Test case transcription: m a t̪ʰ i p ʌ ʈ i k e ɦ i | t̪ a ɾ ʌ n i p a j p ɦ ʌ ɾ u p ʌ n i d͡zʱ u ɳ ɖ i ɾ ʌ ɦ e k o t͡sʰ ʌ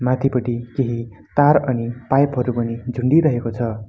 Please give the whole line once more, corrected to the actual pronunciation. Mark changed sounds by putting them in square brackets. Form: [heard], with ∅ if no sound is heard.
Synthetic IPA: m a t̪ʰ i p ʌ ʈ i k e ɦ i | t̪ a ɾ ʌ n i p a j p ɦ ʌ ɾ u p ʌ n i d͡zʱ u ɳ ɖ i ɾ ʌ ɦ e k o t͡sʰ ʌ